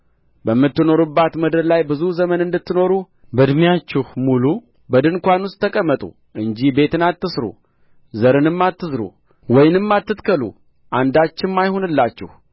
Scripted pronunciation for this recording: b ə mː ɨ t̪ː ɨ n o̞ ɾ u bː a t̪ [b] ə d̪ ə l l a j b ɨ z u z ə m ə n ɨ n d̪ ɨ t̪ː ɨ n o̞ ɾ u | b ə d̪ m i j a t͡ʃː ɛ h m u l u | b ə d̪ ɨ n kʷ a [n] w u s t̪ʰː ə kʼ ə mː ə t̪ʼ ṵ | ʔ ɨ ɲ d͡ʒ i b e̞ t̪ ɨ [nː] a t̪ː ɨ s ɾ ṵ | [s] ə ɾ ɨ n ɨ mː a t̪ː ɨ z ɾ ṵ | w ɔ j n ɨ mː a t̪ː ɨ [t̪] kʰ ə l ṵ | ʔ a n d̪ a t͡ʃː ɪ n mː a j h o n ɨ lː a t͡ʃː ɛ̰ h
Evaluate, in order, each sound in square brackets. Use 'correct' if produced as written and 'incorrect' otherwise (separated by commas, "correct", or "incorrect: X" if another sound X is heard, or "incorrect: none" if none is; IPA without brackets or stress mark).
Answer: incorrect: m, correct, incorrect: n, incorrect: z, correct